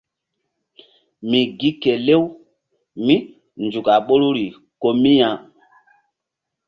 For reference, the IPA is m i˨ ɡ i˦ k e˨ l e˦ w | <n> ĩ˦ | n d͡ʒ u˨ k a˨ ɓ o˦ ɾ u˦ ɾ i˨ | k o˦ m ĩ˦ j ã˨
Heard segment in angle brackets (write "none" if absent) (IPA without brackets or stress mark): m